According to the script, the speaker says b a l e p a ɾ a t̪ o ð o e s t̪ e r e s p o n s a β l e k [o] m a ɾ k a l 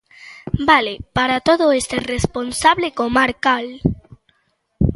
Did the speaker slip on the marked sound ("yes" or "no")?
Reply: no